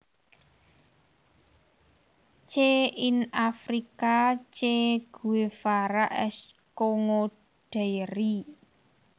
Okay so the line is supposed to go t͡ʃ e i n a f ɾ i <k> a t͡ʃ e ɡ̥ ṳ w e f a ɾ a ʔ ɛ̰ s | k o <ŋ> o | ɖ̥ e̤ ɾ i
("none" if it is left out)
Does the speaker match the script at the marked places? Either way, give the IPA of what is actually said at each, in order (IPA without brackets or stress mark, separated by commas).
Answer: k, ŋ